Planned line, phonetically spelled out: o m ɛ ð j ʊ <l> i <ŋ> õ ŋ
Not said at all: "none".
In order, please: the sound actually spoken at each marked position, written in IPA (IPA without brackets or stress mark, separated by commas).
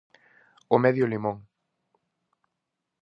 l, m